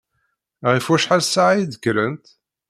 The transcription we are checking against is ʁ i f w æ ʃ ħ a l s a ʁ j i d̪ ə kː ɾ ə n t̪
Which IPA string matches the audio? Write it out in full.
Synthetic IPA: ʁ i f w æ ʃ ħ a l s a ʕ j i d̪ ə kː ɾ ə n t̪